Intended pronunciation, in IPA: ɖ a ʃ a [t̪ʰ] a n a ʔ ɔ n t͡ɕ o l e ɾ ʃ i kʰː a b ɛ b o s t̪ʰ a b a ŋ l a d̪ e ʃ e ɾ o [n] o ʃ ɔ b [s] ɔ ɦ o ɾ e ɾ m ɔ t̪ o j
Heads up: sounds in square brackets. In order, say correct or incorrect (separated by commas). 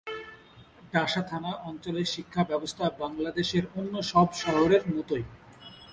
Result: correct, incorrect, incorrect